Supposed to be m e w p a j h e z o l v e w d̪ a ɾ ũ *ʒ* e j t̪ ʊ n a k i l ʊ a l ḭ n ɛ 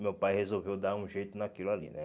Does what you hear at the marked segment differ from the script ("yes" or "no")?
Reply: no